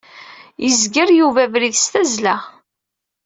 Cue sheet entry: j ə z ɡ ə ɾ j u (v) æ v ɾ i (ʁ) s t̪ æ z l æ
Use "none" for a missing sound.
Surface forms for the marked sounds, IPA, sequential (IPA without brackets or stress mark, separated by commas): v, ð